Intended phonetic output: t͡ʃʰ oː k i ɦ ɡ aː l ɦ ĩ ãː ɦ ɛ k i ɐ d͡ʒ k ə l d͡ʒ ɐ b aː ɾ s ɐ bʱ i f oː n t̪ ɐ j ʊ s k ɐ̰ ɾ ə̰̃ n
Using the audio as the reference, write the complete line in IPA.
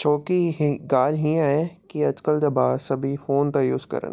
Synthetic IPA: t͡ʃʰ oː k i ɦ ɡ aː l ɦ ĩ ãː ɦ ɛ k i ɐ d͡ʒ k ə l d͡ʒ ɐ b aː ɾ s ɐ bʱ i f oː n t̪ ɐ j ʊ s k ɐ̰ ɾ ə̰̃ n